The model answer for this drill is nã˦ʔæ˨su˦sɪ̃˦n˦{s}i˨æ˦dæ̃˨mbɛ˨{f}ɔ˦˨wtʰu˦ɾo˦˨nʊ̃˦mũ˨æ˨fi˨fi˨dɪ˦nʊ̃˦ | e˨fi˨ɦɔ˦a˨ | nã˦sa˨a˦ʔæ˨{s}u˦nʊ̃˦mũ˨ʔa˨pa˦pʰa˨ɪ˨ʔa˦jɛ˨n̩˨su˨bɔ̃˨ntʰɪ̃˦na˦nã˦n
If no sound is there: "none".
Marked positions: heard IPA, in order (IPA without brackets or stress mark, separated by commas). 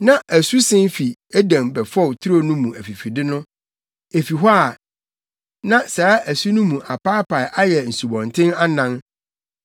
f, f, s